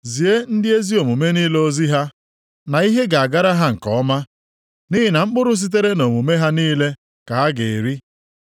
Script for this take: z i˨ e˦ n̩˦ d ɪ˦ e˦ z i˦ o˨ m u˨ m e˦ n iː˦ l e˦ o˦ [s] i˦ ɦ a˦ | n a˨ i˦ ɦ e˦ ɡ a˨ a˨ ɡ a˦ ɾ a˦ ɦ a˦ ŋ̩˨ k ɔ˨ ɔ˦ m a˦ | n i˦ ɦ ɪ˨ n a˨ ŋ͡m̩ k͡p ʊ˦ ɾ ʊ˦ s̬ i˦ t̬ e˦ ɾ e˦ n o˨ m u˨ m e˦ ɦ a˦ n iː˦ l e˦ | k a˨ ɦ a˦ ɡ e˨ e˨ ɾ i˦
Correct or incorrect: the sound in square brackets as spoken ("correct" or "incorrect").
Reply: incorrect